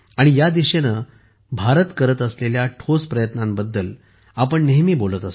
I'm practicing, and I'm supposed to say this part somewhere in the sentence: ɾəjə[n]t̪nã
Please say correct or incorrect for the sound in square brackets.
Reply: incorrect: none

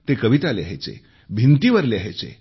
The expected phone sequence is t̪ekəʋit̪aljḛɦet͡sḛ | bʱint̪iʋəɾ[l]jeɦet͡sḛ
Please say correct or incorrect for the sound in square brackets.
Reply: correct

